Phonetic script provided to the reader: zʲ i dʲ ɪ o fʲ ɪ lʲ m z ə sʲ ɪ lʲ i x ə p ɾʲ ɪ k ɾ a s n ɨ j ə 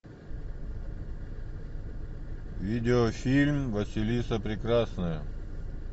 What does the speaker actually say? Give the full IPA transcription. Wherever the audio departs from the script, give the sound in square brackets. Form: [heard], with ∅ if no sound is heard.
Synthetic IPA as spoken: [vʲ] i dʲ ɪ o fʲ [i] lʲ m [v] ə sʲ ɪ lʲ i [s] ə p ɾʲ ɪ k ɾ a s n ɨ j ə